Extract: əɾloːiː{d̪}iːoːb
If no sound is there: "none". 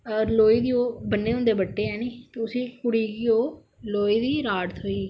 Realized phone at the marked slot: d̪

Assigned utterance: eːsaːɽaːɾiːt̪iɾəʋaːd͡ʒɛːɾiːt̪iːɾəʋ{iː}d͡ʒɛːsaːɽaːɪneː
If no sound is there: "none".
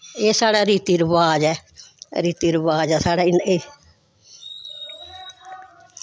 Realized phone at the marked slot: aː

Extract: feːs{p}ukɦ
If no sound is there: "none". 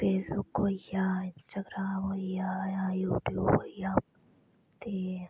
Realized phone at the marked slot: b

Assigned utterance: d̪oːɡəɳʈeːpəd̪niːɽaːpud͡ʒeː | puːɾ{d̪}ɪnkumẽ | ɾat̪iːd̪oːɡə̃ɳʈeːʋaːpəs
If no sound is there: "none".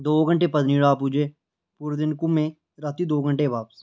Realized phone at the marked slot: d̪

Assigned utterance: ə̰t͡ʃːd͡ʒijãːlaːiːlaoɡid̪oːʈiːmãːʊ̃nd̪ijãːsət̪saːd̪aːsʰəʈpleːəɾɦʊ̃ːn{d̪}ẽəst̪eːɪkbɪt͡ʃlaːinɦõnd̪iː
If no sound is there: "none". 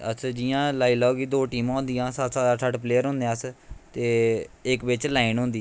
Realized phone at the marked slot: d̪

